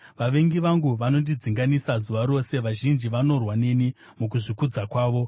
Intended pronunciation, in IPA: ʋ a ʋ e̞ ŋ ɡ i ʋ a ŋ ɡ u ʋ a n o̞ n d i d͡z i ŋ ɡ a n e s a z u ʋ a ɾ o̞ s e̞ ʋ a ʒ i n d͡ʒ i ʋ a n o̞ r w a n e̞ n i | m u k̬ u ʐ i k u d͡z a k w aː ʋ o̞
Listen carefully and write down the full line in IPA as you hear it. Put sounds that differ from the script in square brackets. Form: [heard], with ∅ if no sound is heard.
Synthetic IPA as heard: ʋ a ʋ e̞ ŋ ɡ i ʋ a ŋ ɡ u ʋ a n o̞ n d i d͡z i ŋ ɡ a n [i] s a z u ʋ a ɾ o̞ s e̞ ʋ a ʒ i n d͡ʒ i ʋ a n o̞ r w a n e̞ n i | m u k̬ u ʐ i k u d͡z a k w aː ʋ o̞